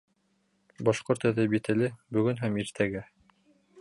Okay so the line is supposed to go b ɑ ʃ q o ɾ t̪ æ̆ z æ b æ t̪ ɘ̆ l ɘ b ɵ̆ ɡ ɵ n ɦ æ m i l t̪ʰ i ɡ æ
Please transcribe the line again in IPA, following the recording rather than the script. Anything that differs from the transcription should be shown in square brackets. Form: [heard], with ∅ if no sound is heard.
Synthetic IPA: b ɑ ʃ q o ɾ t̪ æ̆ [ð] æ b [i] t̪ ɘ̆ l ɘ b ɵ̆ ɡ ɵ n ɦ æ m i [ɾ] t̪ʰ [æ] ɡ æ